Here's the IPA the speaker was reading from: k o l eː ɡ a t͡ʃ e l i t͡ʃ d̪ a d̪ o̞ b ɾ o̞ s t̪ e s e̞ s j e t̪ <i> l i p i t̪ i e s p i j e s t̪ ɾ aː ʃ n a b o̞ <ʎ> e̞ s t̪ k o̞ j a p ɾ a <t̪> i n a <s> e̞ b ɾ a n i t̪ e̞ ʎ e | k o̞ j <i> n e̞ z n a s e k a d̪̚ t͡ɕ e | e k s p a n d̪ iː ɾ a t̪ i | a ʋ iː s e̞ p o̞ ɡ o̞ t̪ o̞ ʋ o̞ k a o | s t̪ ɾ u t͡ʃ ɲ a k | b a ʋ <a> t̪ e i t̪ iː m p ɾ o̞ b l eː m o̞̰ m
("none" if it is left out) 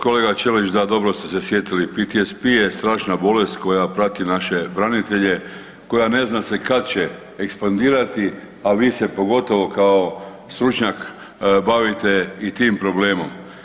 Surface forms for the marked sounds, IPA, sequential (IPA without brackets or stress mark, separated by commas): i, l, t̪, ʃ, a, i